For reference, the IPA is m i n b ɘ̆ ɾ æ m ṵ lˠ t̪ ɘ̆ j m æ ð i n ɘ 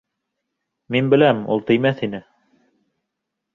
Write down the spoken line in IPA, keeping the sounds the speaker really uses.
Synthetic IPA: m i n b ɘ̆ l æ m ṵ lˠ t̪ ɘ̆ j m æ θ i n ɘ

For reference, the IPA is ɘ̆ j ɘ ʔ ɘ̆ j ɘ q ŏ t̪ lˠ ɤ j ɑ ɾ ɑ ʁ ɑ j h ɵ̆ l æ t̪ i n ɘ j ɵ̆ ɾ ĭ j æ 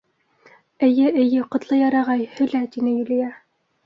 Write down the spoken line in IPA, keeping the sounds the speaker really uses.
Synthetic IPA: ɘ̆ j ɘ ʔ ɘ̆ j ɘ q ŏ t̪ lˠ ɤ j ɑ ɾ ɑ ʁ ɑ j h ɵ̆ l æ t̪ i n ɘ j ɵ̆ l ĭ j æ

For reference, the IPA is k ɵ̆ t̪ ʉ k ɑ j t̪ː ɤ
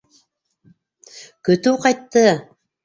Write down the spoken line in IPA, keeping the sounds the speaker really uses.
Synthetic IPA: k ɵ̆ t̪ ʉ q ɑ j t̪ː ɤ

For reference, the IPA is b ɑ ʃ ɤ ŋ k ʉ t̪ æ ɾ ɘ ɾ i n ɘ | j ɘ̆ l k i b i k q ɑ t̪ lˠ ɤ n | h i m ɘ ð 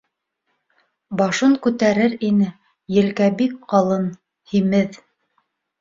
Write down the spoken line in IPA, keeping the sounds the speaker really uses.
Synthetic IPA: b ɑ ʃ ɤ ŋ k ʉ t̪ æ ɾ ɘ ɾ i n ɘ | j ɘ̆ l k æ b i k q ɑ lˠ ɤ n | h i m ɘ ð

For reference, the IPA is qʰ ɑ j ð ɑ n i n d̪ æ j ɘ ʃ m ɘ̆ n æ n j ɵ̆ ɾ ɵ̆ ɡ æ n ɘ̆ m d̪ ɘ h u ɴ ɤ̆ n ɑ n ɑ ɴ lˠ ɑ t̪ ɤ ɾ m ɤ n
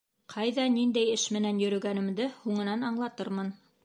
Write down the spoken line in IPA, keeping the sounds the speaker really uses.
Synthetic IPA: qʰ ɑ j ð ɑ n i n d̪ æ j ɘ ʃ m ɘ̆ n æ n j ɵ̆ ɾ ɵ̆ ɡ æ n ɘ̆ m d̪ ɘ h u ɴ ɤ̆ n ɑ n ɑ ɴ lˠ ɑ t̪ ɤ ɾ m ɤ n

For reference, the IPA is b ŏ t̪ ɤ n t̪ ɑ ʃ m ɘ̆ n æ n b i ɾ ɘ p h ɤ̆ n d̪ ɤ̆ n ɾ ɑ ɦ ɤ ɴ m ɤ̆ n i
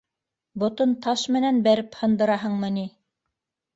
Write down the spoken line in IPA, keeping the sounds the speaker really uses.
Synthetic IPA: b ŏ t̪ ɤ n t̪ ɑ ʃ m ɘ̆ n æ n b æ ɾ ɘ p h ɤ̆ n d̪ ɤ̆ ɾ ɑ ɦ ɤ ɴ m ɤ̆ n i

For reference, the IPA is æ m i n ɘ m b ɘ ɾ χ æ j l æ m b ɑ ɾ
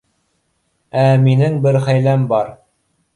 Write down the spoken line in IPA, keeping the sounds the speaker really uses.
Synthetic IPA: æ m i n ɘ ŋ b ɘ ɾ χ æ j l æ m b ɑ ɾ

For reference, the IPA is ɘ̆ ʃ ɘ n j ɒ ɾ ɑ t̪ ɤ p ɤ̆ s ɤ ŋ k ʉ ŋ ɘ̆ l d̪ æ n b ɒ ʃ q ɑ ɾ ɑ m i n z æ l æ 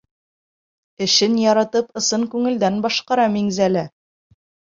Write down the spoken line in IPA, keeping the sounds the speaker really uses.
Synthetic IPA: ɘ̆ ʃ ɘ n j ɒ ɾ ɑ t̪ ɤ p ɤ̆ s ɤ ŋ k ʉ ŋ ɘ̆ l d̪ æ n b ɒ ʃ q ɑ ɾ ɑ m i ŋ z æ l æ

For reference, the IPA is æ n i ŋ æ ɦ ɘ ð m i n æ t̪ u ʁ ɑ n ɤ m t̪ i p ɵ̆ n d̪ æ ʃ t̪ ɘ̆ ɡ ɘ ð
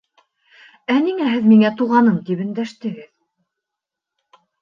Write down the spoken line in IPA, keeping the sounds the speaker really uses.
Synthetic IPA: æ n i ŋ æ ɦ ɘ ð m i ŋ æ t̪ u ʁ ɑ n ɤ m t̪ i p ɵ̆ n d̪ æ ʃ t̪ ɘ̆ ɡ ɘ ð

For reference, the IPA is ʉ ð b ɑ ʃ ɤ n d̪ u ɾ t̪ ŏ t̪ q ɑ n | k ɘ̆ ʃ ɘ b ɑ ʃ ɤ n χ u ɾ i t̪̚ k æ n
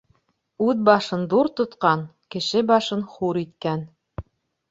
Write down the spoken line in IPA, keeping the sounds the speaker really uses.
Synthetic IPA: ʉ ð b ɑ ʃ ɤ n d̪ u ɾ t̪ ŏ t̪ q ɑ n | k ɘ̆ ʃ ɘ b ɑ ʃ ɤ n χ u ɾ i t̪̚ k æ n

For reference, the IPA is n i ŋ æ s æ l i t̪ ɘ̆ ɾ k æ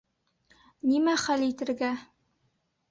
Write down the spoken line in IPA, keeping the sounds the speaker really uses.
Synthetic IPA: n i m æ χ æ l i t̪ ɘ̆ ɾ ɡ æ

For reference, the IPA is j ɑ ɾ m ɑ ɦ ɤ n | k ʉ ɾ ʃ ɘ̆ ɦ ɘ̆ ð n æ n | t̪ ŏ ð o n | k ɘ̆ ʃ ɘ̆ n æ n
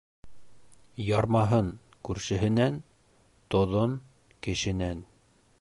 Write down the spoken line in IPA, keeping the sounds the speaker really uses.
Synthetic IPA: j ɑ ɾ m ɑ ɦ ɤ n | k ʉ ɾ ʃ ɘ̆ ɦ ɘ̆ n æ n | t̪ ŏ ð o n | k ɘ̆ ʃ ɘ̆ n æ n

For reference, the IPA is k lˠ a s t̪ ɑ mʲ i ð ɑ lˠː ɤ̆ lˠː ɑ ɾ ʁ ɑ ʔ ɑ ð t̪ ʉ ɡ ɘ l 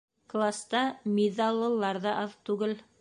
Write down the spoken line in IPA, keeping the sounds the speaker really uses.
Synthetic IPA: k lˠ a s t̪ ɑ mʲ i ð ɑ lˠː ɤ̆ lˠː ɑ ɾ ð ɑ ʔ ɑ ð t̪ ʉ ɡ ɘ l

